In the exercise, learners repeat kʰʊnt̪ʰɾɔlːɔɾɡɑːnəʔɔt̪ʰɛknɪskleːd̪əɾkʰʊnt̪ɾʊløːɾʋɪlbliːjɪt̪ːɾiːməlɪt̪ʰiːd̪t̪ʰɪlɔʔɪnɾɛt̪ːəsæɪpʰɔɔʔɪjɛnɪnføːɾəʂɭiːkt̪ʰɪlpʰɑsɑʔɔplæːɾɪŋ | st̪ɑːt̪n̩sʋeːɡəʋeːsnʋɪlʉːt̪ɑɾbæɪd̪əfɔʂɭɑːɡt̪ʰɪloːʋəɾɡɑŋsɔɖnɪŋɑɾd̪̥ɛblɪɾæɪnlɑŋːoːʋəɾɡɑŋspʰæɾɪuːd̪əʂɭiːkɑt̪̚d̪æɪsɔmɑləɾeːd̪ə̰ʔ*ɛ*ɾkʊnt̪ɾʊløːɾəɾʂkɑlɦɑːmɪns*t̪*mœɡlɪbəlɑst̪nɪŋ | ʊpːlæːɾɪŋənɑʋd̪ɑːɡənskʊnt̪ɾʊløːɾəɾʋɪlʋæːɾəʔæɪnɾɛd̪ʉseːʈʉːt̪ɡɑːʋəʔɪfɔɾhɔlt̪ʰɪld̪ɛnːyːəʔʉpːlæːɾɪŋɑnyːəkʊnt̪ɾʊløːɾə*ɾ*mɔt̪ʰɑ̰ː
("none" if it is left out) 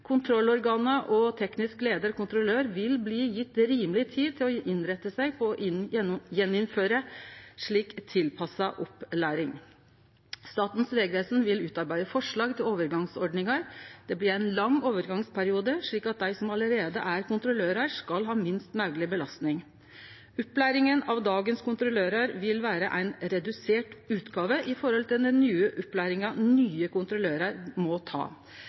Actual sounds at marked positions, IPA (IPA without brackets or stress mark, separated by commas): æ, t̪, ɾ